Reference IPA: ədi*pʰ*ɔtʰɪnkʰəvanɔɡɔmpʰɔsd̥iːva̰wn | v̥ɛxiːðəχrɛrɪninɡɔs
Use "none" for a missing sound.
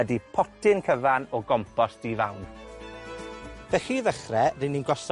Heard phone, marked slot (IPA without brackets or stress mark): pʰ